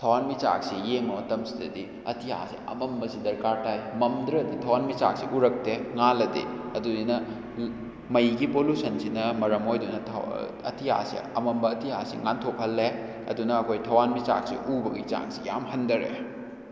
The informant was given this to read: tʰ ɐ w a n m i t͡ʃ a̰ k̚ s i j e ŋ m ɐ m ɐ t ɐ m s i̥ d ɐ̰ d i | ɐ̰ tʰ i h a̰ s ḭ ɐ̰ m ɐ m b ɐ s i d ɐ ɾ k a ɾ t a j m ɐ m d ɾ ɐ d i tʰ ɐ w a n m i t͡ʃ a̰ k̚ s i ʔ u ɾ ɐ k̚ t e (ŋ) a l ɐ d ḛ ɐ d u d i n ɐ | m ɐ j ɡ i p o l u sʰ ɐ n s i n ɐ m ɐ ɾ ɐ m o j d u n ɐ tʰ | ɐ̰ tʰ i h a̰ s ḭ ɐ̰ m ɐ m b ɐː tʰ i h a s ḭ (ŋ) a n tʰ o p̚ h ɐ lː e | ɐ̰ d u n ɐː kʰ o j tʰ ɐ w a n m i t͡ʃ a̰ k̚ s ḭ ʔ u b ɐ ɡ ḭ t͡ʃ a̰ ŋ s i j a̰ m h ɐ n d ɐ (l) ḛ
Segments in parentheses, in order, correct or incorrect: correct, correct, incorrect

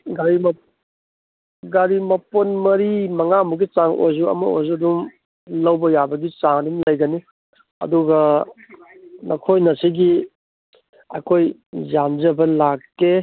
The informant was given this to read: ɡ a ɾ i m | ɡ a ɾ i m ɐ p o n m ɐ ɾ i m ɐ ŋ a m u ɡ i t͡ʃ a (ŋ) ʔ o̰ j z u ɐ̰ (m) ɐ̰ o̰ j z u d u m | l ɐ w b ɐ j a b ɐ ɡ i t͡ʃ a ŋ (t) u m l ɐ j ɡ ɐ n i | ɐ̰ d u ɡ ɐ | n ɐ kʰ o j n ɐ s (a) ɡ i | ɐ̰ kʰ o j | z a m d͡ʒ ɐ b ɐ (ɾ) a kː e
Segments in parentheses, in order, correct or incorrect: correct, correct, incorrect, incorrect, incorrect

